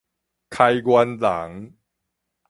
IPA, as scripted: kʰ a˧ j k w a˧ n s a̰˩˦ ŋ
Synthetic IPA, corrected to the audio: kʰ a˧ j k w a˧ n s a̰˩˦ ŋ